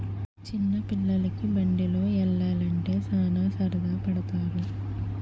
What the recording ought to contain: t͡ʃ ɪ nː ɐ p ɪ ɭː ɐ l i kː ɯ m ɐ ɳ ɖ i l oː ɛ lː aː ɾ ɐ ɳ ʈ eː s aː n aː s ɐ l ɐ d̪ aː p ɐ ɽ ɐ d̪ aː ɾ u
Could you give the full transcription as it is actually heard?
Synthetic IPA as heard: t͡ʃ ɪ nː ɐ p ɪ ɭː ɐ l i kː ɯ b ɐ ɳ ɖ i l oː ɛ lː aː l ɐ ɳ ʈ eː s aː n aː s ɐ ɾ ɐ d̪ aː p ɐ ɽ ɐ t̪ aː ɾ u